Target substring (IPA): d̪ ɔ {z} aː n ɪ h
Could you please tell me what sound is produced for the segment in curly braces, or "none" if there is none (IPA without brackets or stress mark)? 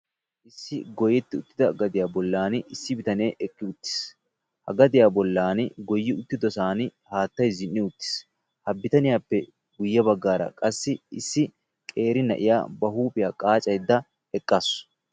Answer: s